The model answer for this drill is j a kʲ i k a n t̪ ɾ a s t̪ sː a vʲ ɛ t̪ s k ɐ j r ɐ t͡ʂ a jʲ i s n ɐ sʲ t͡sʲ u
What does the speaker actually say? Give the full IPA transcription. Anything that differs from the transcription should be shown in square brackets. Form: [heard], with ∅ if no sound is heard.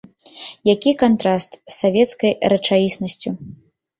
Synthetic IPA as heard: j a kʲ i k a n t̪ ɾ a s t̪ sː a vʲ ɛ t̪ s k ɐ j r ɐ t͡ʂ a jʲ i s n ɐ sʲ t͡sʲ u